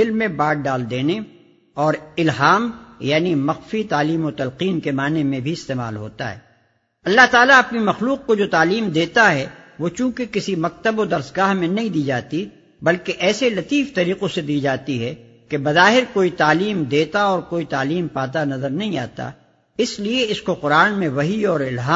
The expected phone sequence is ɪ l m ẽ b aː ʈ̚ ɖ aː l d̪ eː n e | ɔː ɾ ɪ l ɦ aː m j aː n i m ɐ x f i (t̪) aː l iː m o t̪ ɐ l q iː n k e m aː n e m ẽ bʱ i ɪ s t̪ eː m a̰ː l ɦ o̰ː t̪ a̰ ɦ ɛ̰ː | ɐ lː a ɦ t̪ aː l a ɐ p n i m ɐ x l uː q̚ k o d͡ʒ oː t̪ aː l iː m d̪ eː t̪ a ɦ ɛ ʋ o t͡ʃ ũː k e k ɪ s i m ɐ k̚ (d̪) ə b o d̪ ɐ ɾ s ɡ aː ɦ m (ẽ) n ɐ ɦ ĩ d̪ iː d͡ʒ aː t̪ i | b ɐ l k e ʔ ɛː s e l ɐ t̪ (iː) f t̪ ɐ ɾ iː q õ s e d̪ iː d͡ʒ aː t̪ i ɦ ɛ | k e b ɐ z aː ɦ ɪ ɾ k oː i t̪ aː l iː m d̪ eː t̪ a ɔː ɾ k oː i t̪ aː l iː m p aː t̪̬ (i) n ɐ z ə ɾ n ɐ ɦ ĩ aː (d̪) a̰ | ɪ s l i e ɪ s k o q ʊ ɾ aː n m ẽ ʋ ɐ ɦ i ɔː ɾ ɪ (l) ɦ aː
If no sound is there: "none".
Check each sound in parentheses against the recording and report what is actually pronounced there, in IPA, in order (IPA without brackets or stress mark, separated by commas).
t̪, t̪, ẽ, iː, a, t̪, l